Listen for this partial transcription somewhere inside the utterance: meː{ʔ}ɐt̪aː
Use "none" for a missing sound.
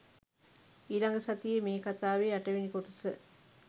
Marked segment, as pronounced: k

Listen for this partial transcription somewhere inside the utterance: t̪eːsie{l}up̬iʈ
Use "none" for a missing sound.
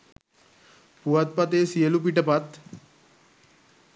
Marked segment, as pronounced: l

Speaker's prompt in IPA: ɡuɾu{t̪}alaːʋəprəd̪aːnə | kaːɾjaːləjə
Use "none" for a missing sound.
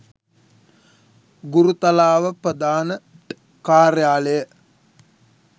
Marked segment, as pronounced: t̪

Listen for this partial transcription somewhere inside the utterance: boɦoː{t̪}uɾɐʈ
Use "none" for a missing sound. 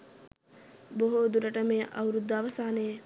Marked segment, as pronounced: d̪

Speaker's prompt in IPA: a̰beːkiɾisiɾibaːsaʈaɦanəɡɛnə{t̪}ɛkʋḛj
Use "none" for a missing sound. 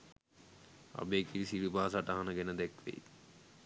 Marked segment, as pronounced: d̪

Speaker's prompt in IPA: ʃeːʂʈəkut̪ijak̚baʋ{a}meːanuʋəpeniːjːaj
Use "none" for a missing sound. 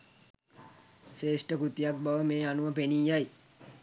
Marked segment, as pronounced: ə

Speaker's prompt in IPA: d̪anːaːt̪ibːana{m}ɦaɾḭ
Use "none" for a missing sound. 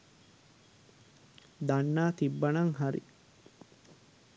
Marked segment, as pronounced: ŋ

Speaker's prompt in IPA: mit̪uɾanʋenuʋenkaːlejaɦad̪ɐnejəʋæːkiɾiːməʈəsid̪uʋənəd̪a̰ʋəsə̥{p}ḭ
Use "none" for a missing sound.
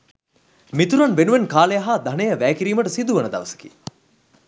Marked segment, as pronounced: k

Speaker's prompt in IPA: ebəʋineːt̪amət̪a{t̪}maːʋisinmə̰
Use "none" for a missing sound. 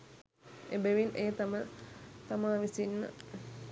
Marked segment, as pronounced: none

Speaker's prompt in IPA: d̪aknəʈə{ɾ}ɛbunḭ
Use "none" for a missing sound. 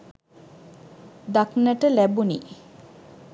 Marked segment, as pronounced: l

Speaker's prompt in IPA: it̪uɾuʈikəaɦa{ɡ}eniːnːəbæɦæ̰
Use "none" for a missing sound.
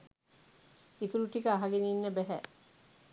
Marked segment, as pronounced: ɡ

